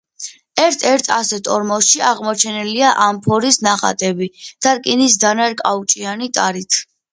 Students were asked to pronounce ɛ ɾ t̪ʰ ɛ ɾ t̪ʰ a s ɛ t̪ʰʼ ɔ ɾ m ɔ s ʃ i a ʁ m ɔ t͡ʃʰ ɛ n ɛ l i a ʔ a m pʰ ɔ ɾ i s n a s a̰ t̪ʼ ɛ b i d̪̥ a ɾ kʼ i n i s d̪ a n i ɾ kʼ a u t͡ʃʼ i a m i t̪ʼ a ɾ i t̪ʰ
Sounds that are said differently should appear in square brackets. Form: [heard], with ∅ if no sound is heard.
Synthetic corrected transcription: ɛ ɾ t̪ʰ ɛ ɾ t̪ʰ a s ɛ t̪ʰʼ ɔ ɾ m ɔ s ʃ i a ʁ m ɔ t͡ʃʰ ɛ n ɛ l i a ʔ a m pʰ ɔ ɾ i s n a [χ] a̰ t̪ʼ ɛ b i d̪̥ a ɾ kʼ i n i s d̪ a n [a] ɾ kʼ a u t͡ʃʼ i a [n] i t̪ʼ a ɾ i t̪ʰ